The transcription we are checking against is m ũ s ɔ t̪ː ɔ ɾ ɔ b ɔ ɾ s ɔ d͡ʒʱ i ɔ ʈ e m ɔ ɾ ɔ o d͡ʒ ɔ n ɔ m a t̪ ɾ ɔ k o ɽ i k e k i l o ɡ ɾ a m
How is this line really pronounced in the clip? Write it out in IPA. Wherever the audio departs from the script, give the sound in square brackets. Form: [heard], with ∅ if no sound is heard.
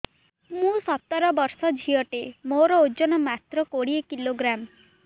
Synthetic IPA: m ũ s ɔ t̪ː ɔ ɾ ɔ b ɔ ɾ s ɔ d͡ʒʱ i ɔ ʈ e m [o] ɾ ɔ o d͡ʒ ɔ n ɔ m a t̪ ɾ ɔ k o ɽ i [∅] e k i l o ɡ ɾ a m